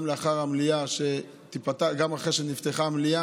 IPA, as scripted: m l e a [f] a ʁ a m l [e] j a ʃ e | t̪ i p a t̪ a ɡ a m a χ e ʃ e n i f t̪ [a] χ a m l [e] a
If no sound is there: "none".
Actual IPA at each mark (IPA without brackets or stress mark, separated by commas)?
χ, i, e, i